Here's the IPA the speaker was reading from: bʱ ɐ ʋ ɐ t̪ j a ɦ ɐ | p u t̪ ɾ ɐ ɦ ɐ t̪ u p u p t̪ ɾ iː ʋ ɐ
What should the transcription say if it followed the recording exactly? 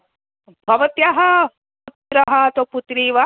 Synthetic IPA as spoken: bʱ ɐ ʋ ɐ t̪ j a ɦ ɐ | p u t̪ ɾ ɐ ɦ ɐ t̪ o p u t̪ ɾ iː ʋ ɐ

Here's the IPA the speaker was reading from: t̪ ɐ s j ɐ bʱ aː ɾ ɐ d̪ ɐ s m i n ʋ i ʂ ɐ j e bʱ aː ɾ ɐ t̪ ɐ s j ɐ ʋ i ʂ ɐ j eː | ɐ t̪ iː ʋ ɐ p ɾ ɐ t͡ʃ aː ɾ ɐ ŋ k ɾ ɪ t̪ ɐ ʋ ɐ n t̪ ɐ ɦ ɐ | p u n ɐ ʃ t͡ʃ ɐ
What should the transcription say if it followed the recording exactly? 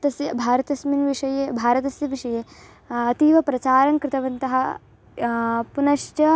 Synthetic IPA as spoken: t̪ ɐ s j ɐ bʱ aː ɾ ɐ t̪ ɐ s m i n ʋ i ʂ ɐ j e bʱ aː ɾ ɐ t̪ ɐ s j ɐ ʋ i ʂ ɐ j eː | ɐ t̪ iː ʋ ɐ p ɾ ɐ t͡ʃ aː ɾ ɐ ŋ k ɾ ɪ t̪ ɐ ʋ ɐ n t̪ ɐ ɦ ɐ | p u n ɐ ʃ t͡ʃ ɐ

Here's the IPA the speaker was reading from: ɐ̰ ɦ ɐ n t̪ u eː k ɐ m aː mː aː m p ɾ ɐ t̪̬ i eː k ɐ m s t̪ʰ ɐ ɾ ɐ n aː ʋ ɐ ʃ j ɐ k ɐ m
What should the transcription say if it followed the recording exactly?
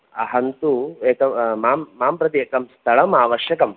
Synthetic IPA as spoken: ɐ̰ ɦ ɐ n t̪ u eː k ɐ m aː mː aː m p ɾ ɐ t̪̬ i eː k ɐ m s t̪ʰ ɐ ɭ ɐ m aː ʋ ɐ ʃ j ɐ k ɐ m

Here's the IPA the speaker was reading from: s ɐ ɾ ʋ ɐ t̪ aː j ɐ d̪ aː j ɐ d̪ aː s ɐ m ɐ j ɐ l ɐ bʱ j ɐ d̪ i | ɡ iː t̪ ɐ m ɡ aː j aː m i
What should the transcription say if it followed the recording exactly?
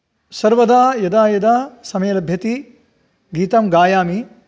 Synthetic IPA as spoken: s ɐ ɾ ʋ ɐ d̪ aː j ɐ d̪ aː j ɐ d̪ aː s ɐ m ɐ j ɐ l ɐ bʱ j ɐ t̪ i | ɡ iː t̪ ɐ m ɡ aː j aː m i

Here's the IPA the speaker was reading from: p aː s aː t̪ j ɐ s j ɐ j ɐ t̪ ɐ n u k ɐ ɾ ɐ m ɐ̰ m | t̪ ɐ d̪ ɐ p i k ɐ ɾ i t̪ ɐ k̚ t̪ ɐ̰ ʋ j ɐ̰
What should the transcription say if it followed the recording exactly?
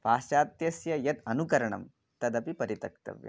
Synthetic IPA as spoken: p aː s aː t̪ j ɐ s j ɐ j ɐ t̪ ɐ n u k ɐ ɾ ɐ ɳ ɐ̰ m | t̪ ɐ d̪ ɐ p i p ɐ ɾ i t̪ ɐ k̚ t̪ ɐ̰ ʋ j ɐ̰

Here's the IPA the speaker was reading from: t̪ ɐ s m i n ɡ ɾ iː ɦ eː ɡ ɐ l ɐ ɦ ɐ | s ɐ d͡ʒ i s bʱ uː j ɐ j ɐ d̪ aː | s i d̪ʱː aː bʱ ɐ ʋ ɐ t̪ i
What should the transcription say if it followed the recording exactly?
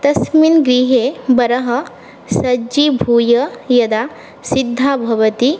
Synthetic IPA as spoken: t̪ ɐ s m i n ɡ ɾ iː ɦ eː b ɐ ɾ ɐ ɦ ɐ | s ɐ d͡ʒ i bʱ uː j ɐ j ɐ d̪ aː | s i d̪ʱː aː bʱ ɐ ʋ ɐ t̪ i

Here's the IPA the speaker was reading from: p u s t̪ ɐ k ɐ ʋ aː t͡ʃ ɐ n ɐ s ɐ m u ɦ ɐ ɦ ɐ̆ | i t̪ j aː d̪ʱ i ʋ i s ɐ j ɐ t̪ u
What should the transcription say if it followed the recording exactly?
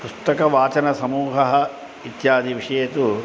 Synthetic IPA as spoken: p u s t̪ ɐ k ɐ ʋ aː t͡ʃ ɐ n ɐ s ɐ m uː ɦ ɐ ɦ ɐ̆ | i t̪ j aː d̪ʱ i ʋ i ʂ ɐ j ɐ t̪ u

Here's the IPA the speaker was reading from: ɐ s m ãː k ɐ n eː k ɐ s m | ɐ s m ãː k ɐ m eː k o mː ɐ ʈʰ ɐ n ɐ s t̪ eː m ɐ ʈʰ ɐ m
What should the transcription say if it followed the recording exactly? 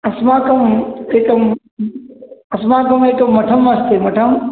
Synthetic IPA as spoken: ɐ s m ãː k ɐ m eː k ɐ m | ɐ s m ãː k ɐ m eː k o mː ɐ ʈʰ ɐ m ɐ s t̪ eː m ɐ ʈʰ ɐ m

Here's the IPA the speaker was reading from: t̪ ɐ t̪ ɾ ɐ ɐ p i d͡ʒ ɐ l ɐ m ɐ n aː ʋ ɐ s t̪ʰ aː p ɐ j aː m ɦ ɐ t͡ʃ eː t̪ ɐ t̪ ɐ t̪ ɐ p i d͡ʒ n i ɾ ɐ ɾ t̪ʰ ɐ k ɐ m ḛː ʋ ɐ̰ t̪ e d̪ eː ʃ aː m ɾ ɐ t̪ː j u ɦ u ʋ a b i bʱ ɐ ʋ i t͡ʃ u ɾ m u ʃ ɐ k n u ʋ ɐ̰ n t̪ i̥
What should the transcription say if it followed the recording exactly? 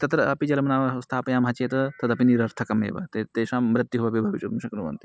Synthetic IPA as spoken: t̪ ɐ t̪ ɾ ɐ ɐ p i d͡ʒ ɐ l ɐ m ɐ n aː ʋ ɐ s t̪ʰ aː p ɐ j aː m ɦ ɐ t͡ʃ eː t̪ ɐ t̪ ɐ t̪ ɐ p i n i ɾ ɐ ɾ t̪ʰ ɐ k ɐ m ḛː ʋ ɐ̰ t̪ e t̪ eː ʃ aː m ɾ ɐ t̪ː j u ɦ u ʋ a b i bʱ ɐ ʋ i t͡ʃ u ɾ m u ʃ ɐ k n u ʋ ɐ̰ n t̪ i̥

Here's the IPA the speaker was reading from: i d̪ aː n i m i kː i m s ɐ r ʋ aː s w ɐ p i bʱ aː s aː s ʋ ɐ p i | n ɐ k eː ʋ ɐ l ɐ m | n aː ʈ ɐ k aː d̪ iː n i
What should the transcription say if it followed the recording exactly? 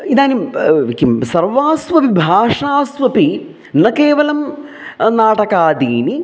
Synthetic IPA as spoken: i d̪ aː n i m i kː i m s ɐ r ʋ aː s ʋ ɐ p i bʱ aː ʂ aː s ʋ ɐ p i | n ɐ k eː ʋ ɐ l ɐ m | n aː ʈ ɐ k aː d̪ iː n i

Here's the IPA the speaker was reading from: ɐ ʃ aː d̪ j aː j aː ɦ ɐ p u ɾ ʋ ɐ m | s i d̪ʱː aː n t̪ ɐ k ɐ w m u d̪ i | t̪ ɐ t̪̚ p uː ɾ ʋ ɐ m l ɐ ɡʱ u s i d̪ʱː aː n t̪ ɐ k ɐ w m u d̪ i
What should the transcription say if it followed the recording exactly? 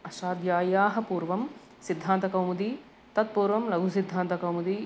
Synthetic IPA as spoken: ɐ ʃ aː d̪ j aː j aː ɦ ɐ p uː ɾ ʋ ɐ m | s i d̪ʱː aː n t̪ ɐ k ɐ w m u d̪ i | t̪ ɐ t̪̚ p uː ɾ ʋ ɐ m l ɐ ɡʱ u s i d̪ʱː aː n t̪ ɐ k ɐ w m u d̪ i

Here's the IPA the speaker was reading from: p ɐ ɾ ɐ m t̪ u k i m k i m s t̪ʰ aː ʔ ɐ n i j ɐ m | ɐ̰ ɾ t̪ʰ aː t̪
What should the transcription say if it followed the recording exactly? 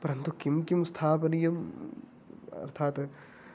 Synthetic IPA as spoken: p ɐ ɾ ɐ n t̪ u k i m k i m s t̪ʰ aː p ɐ n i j ɐ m | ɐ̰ ɾ t̪ʰ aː t̪

